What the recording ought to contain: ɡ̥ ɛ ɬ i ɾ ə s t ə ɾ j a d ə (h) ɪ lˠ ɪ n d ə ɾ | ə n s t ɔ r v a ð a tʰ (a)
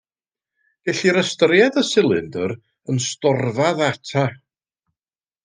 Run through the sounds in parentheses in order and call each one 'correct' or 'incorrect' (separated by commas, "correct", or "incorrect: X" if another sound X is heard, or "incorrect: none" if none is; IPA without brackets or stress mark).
incorrect: s, correct